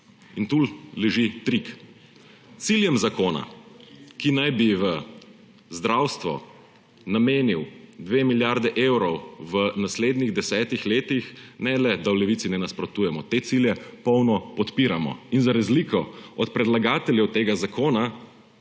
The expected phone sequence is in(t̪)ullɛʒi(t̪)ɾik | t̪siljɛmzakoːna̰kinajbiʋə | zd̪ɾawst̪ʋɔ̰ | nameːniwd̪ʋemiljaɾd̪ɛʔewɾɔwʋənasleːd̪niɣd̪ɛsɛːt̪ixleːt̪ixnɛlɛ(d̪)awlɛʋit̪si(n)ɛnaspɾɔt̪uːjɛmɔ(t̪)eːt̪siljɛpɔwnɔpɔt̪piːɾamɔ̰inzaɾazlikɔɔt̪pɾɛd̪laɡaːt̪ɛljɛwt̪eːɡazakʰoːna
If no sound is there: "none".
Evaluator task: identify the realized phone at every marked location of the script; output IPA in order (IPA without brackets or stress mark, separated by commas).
t̪, t̪, d̪, n, t̪